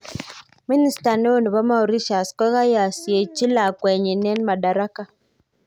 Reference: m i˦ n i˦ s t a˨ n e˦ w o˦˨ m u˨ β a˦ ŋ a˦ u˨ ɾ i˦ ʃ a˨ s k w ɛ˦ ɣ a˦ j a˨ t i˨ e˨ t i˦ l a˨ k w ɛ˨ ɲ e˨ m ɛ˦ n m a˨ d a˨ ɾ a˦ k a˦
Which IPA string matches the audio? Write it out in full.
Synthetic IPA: m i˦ n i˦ s t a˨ n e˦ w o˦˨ n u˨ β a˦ m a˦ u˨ ɾ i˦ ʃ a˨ s k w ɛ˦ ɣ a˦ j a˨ s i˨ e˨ t͡ʃ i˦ l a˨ k w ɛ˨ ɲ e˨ n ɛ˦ n m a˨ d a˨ ɾ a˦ k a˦